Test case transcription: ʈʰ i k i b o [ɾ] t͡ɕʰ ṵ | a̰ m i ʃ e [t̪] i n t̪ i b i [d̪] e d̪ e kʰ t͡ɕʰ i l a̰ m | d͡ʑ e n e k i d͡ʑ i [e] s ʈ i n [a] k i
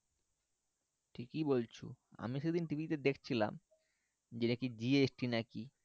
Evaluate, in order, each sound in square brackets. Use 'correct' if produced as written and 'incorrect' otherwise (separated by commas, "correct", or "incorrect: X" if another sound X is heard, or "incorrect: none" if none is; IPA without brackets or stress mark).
incorrect: l, incorrect: d̪, incorrect: t̪, correct, correct